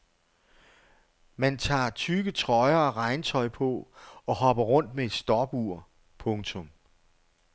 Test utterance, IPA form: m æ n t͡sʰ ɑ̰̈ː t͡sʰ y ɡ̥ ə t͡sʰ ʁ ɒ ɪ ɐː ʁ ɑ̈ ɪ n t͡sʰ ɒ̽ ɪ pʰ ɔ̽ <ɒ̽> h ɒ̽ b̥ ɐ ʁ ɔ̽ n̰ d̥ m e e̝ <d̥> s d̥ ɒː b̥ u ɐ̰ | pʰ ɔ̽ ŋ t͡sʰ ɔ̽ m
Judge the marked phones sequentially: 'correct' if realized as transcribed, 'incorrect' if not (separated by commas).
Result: correct, correct